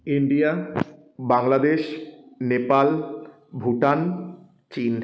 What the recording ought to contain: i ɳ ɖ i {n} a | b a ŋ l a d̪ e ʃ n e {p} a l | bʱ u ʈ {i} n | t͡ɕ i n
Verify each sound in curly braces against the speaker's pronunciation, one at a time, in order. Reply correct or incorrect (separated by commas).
incorrect, correct, incorrect